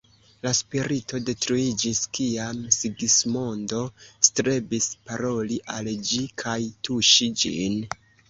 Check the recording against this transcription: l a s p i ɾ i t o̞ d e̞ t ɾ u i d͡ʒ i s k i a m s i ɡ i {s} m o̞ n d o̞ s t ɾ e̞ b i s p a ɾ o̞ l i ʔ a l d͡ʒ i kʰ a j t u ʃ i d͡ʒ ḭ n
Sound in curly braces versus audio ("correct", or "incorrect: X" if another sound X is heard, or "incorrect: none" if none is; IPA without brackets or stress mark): correct